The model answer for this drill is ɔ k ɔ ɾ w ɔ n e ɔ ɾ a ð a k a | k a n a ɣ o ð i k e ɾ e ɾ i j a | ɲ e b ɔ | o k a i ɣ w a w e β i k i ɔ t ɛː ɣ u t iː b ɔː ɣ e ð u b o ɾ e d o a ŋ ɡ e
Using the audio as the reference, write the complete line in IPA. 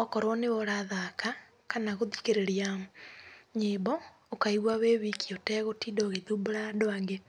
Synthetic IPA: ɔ k ɔ ɾ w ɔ n e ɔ ɾ a ð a k a | k a n a ɣ o ð i k e ɾ e ɾ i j a | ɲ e b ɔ | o k a i ɣ w a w e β i k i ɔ t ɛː ɣ o t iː d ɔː ɣ e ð u b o ɾ a d o a ŋ ɡ e

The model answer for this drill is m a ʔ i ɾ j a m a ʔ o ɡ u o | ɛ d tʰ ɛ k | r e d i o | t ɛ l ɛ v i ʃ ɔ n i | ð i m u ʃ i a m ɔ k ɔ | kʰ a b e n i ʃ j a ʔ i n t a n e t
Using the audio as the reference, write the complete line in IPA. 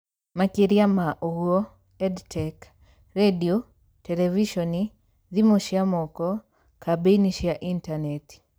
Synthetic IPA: m a k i ɾ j a m a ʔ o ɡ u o | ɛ d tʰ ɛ k | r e d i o | t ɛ l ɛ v i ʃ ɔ n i | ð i m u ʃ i a m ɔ k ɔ | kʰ a b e n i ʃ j a ʔ i n t a n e t

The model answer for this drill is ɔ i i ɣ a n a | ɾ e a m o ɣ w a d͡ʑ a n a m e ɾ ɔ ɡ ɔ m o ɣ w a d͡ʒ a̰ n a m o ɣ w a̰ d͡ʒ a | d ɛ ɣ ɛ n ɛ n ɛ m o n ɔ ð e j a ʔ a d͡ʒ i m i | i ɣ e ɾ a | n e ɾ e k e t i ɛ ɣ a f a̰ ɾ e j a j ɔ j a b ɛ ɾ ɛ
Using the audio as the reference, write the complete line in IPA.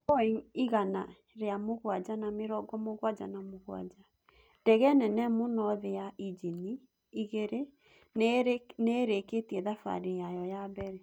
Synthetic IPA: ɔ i i ɣ a n a | ɾ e a m o ɣ w a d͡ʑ a n a m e ɾ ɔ ɡ ɔ m o ɣ w a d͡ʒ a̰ n a m o ɣ w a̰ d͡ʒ a | d ɛ ɣ ɛ n ɛ n ɛ m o n ɔ ð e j a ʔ i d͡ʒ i n i | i ɣ e ɾ e | n e ɾ e k e t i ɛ ð a f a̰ ɾ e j a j ɔ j a b ɛ ɾ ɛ

